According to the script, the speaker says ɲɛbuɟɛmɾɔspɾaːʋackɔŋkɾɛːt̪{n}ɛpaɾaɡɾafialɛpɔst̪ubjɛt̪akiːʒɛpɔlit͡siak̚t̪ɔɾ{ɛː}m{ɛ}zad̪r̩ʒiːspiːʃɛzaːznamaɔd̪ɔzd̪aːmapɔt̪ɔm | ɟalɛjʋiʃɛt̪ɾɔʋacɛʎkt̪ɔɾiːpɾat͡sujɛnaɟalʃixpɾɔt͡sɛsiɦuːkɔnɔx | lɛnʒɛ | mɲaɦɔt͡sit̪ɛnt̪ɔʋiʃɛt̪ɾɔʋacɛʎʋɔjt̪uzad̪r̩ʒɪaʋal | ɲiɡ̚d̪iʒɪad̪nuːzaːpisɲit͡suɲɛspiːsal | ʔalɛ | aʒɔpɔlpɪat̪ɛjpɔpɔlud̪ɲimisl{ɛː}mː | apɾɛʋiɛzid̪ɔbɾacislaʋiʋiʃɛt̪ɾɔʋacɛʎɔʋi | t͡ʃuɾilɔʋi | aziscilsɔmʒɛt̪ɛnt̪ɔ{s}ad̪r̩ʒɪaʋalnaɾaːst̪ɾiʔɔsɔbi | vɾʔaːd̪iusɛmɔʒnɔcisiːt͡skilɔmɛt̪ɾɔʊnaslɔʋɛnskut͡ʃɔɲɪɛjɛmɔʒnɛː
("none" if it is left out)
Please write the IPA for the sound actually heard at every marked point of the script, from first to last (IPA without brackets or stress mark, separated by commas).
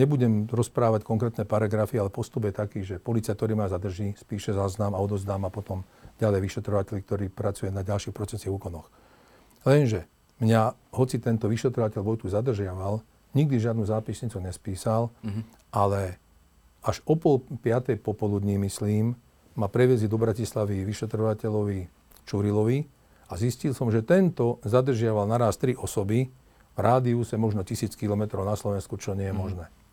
n, iː, a, iː, z